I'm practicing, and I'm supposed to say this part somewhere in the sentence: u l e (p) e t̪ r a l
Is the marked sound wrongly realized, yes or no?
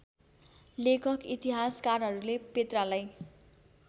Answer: no